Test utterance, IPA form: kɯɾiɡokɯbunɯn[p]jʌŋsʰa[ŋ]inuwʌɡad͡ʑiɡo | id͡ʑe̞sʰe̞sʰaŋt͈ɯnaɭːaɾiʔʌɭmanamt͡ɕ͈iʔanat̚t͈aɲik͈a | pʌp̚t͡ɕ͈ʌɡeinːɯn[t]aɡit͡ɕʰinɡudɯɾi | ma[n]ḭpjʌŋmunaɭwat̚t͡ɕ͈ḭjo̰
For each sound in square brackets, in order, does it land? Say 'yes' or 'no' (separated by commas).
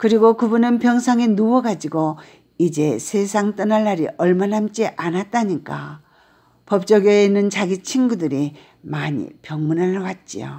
yes, yes, no, no